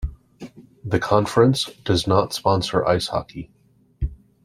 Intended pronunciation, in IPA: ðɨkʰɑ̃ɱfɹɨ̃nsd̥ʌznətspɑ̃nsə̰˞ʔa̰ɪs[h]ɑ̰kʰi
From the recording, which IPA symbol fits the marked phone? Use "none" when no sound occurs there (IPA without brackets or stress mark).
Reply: h